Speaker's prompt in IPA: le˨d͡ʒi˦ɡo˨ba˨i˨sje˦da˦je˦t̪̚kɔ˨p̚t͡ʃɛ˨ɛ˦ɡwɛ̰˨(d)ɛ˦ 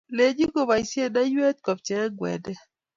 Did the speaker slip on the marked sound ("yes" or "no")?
no